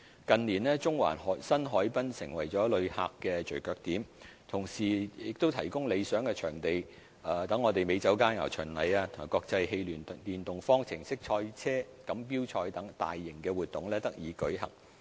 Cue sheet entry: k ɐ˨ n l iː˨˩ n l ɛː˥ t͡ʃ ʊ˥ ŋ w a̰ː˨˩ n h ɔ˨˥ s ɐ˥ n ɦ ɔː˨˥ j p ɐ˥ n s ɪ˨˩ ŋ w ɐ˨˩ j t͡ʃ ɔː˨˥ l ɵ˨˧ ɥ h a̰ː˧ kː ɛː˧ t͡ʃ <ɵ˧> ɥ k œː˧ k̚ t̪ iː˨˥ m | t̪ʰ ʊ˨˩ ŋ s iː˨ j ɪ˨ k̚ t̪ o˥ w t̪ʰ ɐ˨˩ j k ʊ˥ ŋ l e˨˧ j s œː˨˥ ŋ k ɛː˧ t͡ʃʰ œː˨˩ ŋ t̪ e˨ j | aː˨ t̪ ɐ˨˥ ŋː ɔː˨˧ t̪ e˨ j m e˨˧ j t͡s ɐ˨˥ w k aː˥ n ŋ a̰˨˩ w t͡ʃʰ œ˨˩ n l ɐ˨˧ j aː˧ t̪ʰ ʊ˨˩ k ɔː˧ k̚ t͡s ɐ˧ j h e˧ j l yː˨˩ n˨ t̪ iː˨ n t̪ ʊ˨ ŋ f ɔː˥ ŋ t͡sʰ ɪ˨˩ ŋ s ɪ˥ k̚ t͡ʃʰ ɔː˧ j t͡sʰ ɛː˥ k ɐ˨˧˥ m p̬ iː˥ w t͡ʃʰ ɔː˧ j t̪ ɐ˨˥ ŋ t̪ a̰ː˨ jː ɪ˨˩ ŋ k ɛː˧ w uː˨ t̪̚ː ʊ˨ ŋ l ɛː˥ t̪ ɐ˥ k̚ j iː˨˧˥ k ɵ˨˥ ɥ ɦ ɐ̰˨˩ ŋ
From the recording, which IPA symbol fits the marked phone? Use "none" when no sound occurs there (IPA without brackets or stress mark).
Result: ɵ˨˩